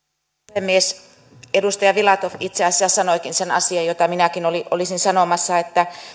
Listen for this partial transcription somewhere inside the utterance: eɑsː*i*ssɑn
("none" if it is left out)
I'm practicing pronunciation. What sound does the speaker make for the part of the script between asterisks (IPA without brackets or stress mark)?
æ